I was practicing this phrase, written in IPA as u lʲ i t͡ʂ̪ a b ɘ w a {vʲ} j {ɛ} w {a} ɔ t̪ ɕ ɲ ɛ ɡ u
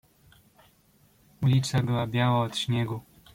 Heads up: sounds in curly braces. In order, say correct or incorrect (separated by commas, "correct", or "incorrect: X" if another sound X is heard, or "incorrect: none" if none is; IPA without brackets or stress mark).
incorrect: bʲ, incorrect: a, correct